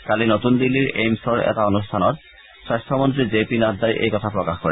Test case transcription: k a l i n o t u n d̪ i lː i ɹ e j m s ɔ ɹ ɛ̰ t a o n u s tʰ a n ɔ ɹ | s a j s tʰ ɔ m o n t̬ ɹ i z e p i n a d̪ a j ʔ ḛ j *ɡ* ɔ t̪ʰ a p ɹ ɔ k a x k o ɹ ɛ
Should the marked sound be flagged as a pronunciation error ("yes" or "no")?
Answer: yes